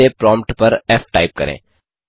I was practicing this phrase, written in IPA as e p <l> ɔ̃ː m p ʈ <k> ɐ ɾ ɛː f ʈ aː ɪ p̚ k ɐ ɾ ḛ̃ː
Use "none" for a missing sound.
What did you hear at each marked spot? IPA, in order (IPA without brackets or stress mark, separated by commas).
ɾ, p